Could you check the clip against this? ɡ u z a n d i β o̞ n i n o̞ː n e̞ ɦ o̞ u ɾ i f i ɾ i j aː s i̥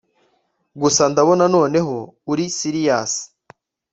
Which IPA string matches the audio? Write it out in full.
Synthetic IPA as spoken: ɡ u s a n d a β o̞ n a n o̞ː n e̞ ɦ o̞ u ɾ i s i ɾ i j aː s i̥